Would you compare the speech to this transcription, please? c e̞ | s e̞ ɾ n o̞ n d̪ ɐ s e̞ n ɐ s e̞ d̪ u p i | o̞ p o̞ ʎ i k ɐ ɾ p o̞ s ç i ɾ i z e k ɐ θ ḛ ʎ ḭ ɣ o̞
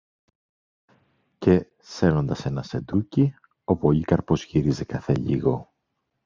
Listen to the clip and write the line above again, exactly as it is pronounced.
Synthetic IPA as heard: c e̞ | s e̞ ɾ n o̞ n d̪ ɐ s e̞ n ɐ s e̞ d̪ u c i | o̞ p o̞ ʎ i k ɐ ɾ p o̞ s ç i ɾ i z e k ɐ θ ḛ ʎ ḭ ɣ o̞